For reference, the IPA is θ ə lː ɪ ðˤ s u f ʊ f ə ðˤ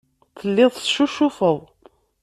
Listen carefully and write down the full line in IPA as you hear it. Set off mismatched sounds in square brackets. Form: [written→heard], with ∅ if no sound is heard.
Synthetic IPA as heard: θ ə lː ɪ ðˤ [s→ʃ] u [f→ʃ] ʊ f ə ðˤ